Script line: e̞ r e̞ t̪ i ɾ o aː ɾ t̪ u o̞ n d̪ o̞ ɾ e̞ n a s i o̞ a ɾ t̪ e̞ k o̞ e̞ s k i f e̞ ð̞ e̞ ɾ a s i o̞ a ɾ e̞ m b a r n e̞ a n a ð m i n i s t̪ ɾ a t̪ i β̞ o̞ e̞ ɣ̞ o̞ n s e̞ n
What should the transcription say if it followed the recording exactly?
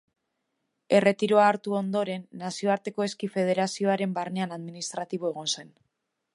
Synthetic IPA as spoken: e̞ r e̞ t̪ i ɾ o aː ɾ t̪ u o̞ n d̪ o̞ ɾ e̞ nː a s i o̞ a ɾ t̪ e̞ k o̞ e̞ s k i f e̞ ð̞ e̞ ɾ a s i o̞ a ɾ e̞ m b a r n e̞ a n a ð m i n i s t̪ ɾ a t̪ i β̞ o̞ e̞ ɣ̞ o̞ n s e̞ n